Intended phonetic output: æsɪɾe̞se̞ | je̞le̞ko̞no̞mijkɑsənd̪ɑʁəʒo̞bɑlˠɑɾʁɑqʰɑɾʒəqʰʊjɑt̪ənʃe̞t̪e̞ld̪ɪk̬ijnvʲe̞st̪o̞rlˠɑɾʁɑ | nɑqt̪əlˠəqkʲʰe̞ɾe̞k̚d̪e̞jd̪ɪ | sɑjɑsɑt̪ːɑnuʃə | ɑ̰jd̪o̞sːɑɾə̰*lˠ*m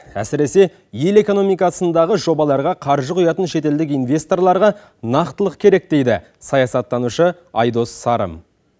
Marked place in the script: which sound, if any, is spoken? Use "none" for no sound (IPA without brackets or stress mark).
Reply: none